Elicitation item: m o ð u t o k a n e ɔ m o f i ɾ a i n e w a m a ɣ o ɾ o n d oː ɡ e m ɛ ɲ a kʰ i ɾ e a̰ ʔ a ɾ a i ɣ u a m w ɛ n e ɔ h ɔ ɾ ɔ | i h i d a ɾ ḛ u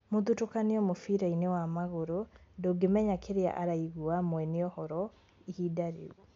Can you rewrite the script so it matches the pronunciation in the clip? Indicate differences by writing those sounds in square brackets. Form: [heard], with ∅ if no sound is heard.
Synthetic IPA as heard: m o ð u t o k a n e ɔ m o f i ɾ a i n e w a m a ɣ o ɾ o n d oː ɡ e m ɛ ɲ a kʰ [e] ɾ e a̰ ʔ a ɾ a i ɣ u a m w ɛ n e ɔ h ɔ ɾ ɔ | i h i d a ɾ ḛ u